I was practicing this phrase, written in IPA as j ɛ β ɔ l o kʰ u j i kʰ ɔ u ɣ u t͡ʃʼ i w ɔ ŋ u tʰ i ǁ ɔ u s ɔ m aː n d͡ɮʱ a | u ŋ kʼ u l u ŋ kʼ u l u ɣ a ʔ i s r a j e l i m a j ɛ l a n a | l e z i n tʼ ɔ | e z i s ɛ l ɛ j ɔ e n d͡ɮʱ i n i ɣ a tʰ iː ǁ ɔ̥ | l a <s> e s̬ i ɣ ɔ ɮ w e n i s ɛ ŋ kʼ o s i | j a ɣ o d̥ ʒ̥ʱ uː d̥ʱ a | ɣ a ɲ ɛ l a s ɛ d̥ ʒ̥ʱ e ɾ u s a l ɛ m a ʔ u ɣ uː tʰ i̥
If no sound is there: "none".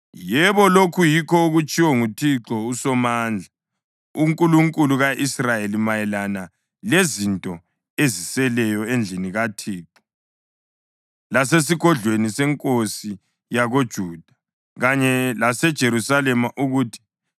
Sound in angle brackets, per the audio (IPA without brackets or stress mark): s